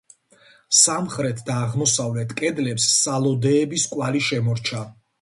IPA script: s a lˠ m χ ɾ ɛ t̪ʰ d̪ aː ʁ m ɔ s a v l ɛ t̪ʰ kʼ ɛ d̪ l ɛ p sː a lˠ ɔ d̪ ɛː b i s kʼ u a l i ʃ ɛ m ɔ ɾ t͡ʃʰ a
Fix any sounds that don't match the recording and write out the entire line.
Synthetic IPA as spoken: s a m χ ɾ ɛ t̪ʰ d̪ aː ʁ m ɔ s a v l ɛ t̪ʰ kʼ ɛ d̪ l ɛ p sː a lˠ ɔ d̪ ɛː b i s kʼ w a l i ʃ ɛ m ɔ ɾ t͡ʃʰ a